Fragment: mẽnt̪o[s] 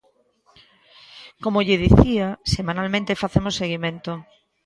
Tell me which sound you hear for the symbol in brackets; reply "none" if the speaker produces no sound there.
none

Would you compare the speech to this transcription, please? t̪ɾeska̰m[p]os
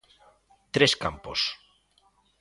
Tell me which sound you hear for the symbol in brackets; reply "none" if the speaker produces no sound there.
p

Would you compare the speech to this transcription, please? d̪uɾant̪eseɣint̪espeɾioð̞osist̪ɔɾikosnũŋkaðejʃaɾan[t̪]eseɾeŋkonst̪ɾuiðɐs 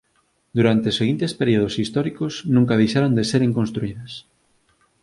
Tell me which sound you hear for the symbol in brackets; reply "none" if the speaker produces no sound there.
d̪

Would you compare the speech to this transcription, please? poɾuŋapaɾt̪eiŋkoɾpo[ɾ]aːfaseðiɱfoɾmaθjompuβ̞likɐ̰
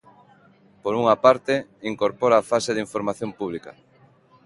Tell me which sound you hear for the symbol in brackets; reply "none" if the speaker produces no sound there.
ɾ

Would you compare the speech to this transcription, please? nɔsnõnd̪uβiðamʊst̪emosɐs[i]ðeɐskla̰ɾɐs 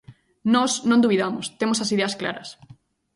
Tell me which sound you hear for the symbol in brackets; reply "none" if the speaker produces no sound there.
i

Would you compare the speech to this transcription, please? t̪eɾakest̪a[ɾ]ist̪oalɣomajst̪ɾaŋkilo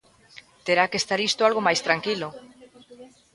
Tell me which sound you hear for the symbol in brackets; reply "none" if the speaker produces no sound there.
ɾ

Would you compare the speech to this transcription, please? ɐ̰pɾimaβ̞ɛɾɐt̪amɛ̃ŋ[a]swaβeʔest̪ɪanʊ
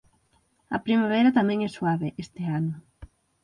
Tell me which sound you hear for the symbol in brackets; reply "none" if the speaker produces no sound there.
ɛ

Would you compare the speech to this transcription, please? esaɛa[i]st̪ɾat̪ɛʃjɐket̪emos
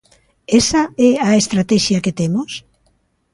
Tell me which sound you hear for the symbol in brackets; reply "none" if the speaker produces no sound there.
e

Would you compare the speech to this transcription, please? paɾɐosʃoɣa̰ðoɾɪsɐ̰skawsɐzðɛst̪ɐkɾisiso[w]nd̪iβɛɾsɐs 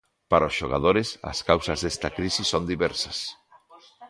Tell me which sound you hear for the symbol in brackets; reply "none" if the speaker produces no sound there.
none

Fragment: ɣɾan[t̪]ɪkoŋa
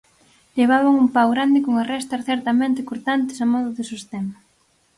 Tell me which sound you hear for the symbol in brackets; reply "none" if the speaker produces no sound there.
d̪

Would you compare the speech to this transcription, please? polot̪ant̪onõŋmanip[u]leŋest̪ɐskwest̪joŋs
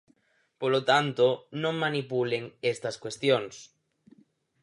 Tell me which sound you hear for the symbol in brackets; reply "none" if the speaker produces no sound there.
u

